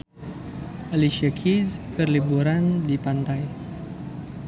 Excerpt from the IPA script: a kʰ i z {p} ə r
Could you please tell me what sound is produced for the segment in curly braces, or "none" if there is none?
k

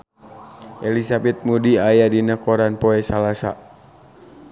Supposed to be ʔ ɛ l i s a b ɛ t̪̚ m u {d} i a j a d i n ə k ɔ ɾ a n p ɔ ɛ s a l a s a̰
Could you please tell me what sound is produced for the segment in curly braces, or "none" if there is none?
d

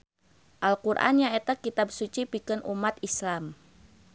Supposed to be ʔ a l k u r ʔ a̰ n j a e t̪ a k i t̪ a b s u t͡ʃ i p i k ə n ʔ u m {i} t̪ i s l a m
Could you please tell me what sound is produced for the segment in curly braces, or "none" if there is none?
a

